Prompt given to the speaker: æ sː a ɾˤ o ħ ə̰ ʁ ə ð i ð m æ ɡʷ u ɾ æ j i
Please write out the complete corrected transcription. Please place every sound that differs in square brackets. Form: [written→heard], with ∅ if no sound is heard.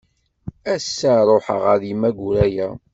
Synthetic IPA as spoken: æ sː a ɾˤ o ħ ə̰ ʁ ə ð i [ð→∅] m æ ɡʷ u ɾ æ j [i→æ]